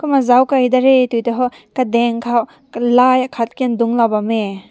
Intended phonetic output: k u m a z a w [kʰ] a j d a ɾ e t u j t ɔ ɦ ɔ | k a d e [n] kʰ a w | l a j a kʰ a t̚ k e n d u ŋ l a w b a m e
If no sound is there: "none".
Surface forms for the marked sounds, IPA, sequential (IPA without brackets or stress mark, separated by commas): k, ŋ